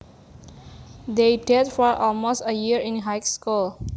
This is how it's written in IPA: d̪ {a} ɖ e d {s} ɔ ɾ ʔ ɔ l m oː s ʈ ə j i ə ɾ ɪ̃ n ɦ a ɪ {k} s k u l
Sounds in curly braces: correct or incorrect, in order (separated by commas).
incorrect, incorrect, correct